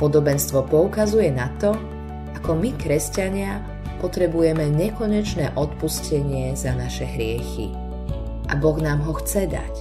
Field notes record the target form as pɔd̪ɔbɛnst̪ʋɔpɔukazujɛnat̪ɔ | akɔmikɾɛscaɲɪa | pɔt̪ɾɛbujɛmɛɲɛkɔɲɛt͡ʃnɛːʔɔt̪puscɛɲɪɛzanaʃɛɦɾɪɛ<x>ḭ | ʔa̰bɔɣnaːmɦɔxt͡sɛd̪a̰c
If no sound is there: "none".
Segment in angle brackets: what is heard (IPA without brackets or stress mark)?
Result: x